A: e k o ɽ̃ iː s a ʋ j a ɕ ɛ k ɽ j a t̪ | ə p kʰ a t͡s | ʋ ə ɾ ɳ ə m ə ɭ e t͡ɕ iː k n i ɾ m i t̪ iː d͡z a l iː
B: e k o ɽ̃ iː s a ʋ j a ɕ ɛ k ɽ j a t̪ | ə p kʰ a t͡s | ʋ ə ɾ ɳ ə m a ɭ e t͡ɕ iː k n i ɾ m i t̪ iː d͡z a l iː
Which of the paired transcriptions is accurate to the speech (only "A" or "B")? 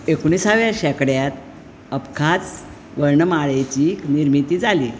B